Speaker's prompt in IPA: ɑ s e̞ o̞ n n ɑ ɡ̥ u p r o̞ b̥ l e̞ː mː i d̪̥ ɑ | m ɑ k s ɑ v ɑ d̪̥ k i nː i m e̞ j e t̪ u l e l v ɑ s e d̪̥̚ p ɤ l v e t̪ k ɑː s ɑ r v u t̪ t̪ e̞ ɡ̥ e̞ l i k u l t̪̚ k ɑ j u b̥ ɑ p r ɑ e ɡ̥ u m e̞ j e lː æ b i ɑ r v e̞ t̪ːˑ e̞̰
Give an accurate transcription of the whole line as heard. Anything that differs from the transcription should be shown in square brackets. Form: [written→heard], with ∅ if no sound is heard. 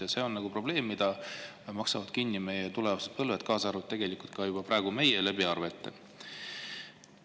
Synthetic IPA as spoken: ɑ s e̞ o̞ n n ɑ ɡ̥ u p r o̞ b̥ l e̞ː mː i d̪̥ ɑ | m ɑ k s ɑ v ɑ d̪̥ k i nː i m e̞ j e t̪ u l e [l→∅] v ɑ s e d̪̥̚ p ɤ l v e t̪ k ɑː s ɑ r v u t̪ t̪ e̞ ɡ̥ e̞ l i k u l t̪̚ k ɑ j u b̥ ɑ p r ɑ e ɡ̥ u m e̞ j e [lː→l] æ b i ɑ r v e̞ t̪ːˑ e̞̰

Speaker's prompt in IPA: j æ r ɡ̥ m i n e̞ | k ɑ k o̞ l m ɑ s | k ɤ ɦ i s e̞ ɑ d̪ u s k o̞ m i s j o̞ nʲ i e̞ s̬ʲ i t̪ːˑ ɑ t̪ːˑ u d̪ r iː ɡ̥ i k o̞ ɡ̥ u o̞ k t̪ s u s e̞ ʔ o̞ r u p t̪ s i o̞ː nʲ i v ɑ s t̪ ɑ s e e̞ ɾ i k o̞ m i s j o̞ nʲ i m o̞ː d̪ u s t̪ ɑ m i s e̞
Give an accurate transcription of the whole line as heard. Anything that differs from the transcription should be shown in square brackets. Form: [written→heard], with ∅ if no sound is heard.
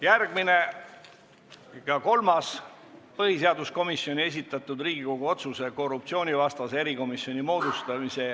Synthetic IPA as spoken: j æ r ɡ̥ m i n e̞ | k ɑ k o̞ l m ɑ s | [k→p] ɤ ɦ i s e̞ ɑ d̪ u s k o̞ m i s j o̞ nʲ i e̞ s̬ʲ i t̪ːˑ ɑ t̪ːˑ u d̪ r iː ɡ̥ i k o̞ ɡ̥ u o̞ [k→∅] t̪ s u s e̞ [ʔ→k] o̞ r u p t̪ s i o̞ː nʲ i v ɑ s t̪ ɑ s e e̞ ɾ i k o̞ m i s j o̞ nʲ i m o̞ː d̪ u s t̪ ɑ m i s e̞

